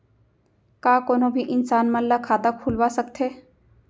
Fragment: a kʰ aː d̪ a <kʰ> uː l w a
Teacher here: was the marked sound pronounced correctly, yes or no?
yes